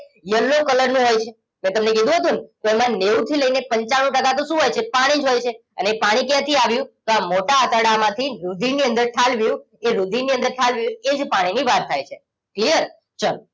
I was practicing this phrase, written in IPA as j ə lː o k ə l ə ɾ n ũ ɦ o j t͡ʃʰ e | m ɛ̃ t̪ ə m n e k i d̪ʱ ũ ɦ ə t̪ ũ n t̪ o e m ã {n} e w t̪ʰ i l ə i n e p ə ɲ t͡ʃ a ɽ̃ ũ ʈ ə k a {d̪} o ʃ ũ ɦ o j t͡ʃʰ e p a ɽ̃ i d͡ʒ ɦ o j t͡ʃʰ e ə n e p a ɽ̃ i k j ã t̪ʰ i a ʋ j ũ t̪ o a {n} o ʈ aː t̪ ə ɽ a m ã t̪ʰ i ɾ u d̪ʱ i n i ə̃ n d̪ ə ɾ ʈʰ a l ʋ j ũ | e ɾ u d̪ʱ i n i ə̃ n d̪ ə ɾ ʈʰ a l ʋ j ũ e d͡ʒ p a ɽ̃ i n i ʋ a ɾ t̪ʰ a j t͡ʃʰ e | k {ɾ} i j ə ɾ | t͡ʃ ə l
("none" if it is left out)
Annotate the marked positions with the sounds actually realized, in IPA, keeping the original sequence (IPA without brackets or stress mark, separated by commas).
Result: n, t̪, m, l